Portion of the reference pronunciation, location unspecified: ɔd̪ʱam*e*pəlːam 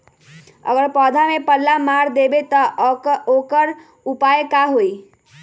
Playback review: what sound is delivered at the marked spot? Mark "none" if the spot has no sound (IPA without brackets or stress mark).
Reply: e